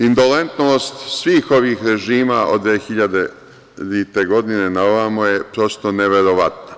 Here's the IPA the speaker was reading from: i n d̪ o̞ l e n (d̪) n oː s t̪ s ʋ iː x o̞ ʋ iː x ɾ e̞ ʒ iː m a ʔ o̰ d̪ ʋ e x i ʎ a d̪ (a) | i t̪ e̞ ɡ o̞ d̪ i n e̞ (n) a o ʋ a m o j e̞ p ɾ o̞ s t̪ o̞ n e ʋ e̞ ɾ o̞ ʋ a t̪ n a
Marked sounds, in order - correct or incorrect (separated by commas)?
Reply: incorrect, incorrect, correct